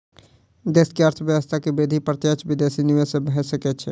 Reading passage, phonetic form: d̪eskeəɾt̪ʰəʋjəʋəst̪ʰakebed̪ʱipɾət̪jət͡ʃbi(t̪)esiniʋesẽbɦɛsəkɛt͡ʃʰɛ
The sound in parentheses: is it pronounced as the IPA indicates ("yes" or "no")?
no